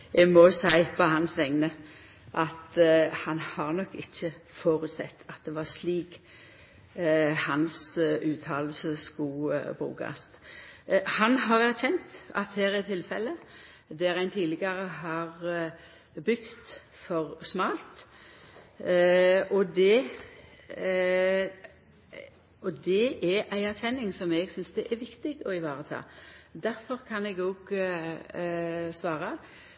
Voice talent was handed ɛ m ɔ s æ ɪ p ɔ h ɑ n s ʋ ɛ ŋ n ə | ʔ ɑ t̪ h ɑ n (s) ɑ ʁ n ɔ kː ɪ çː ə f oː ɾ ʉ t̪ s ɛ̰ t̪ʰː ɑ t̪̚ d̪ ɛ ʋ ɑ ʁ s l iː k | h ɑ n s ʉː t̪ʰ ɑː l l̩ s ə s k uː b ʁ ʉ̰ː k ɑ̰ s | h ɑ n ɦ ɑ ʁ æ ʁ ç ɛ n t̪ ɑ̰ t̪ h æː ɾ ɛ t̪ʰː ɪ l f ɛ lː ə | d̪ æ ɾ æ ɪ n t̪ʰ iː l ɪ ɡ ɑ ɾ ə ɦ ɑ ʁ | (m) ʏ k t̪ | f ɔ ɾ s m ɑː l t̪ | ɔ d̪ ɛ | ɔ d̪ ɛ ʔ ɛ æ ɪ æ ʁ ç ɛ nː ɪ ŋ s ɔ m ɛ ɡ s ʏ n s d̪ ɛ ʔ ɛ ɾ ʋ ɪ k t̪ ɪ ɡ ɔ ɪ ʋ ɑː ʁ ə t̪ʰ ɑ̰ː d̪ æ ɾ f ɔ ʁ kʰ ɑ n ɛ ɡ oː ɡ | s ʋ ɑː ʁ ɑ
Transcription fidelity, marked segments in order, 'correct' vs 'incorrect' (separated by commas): incorrect, incorrect